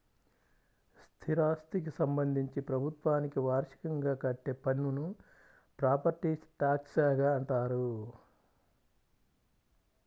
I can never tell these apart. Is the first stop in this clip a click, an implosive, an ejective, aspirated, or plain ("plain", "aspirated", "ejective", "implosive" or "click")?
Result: aspirated